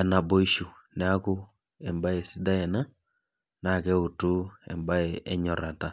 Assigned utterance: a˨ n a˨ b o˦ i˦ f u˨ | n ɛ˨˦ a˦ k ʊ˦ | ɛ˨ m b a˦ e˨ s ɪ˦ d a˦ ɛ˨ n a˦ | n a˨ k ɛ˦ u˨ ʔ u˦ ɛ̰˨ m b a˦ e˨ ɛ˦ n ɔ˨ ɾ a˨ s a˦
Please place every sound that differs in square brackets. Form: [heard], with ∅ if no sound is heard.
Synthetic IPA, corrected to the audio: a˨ n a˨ b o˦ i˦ [ʃ] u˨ | n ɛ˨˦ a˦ k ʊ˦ | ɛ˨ m b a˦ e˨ s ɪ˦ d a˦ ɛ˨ n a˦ | n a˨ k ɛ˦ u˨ [t] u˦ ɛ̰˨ m b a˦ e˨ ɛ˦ [ɲ] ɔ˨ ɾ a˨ [t] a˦